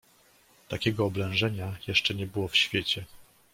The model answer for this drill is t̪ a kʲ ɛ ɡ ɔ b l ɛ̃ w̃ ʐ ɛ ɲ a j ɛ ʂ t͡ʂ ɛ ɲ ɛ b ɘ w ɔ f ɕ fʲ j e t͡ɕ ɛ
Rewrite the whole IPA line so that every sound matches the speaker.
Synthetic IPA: t̪ a kʲ ɛ ɡ ɔː b l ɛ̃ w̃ ʐ ɛ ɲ a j ɛ ʂ t͡ʂ ɛ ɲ ɛ b ɘ w ɔ f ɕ fʲ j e t͡ɕ ɛ

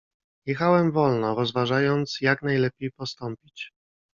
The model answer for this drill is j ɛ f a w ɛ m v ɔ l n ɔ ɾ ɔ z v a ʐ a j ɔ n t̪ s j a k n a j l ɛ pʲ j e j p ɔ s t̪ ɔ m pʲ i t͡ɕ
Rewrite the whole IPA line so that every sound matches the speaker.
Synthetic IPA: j ɛ x a w ɛ m v ɔ l n ɔ ɾ ɔ z v a ʐ a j ɔ n t̪ s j a k n a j l ɛ pʲ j e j p ɔ s t̪ ɔ m pʲ i t͡ɕ

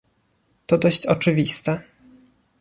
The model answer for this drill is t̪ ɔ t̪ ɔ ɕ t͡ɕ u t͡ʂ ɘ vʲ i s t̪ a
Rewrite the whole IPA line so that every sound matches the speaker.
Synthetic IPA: t̪ ɔ d̪ ɔ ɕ t͡ɕ ɔ t͡ʂ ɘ vʲ i s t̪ ɛ

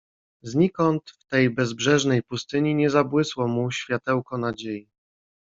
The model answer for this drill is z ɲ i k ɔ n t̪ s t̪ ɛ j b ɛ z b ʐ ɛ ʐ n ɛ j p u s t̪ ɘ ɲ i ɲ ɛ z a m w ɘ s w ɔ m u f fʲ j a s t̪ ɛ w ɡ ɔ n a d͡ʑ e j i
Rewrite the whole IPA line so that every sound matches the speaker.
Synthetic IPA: z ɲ i k ɔ n t̪ f t̪ ɛ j b ɛ z b ʐ ɛ ʐ n ɛ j p u s t̪ ɘ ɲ i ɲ ɛ z a b w ɘ s w ɔ m u ɕ fʲ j a t̪ ɛ w k ɔ n a d͡ʑ e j i

